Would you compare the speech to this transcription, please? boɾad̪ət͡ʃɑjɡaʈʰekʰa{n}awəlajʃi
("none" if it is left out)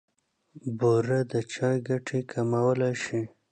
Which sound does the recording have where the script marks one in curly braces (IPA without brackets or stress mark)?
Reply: m